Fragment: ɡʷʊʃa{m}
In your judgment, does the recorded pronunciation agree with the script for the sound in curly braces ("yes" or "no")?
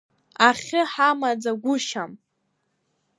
yes